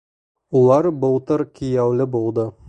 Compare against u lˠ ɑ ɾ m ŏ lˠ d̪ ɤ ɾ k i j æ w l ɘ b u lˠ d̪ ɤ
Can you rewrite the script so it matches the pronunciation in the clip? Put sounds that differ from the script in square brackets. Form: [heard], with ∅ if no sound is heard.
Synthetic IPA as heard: u lˠ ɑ ɾ [b] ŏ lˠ [t̪] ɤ ɾ k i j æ w l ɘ b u lˠ d̪ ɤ